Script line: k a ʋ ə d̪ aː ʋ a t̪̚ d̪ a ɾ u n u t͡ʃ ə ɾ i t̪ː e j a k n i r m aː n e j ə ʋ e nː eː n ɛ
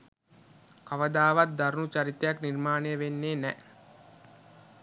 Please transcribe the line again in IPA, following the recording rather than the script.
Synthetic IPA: k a ʋ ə d̪ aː ʋ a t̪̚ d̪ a ɾ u n u t͡ʃ a ɾ i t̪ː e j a k n i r m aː n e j ə ʋ e nː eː n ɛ